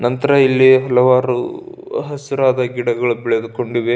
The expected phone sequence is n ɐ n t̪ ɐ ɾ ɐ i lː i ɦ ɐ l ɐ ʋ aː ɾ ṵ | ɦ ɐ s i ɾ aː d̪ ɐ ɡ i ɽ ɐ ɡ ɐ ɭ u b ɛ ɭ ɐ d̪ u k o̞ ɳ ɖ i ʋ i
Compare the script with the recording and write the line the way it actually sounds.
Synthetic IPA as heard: n ɐ n t̪ ɐ ɾ ɐ i lː i ɦ ɐ l ɐ ʋ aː ɾ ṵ | ɦ ɐ s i ɾ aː d̪ ɐ ɡ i ɽ ɐ ɡ ɐ ɭ u b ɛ ɭ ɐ d̪ u k o̞ ɳ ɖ i ʋ e